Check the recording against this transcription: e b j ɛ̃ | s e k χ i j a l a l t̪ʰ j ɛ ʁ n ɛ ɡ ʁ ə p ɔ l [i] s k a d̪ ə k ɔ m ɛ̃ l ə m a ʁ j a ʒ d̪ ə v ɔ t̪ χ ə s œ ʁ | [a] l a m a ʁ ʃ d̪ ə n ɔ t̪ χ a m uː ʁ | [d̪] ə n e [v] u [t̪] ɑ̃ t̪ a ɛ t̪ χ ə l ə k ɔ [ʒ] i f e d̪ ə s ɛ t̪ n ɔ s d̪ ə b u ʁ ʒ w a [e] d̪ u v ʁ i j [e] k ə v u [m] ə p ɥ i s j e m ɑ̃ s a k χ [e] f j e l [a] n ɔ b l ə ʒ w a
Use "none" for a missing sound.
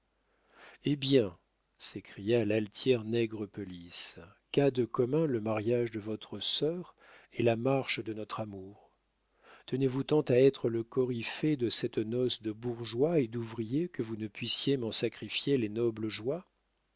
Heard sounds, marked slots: i, e, t̪, v, t̪, ʁ, e, e, n, i, e

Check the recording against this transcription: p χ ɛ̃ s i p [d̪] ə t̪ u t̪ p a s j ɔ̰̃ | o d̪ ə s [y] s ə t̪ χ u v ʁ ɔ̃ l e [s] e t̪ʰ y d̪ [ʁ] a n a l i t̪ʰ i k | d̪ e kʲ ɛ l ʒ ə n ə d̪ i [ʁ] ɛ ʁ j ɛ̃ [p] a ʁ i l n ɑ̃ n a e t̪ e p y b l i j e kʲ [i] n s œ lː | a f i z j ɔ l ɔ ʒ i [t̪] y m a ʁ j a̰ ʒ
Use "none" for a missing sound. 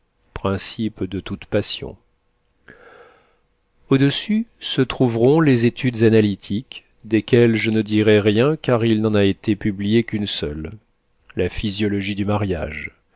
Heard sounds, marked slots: d̪, y, z, z, ʁ, k, y, d̪

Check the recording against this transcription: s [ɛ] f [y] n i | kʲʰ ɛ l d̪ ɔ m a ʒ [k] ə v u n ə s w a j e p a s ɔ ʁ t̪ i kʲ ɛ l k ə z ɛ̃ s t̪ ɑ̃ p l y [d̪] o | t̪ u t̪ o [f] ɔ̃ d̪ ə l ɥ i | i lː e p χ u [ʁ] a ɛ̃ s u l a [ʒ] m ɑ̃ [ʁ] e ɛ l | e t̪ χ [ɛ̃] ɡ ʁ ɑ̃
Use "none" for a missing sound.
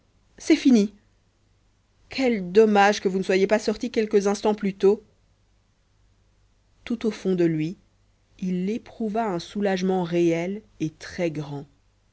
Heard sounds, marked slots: ɛ, i, k, t̪, f, v, ʒ, ʁ, ɛ

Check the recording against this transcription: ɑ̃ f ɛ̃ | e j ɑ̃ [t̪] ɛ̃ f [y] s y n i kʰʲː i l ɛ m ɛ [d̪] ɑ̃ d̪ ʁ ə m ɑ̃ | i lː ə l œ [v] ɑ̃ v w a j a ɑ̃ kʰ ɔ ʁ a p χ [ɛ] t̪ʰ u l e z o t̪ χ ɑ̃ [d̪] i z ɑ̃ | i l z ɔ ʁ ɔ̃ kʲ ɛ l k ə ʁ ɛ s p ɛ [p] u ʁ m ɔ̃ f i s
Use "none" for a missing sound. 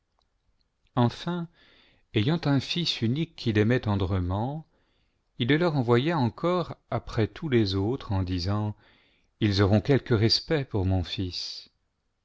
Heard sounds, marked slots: t̪, i, t̪, ʁ, ɛ, d̪, p

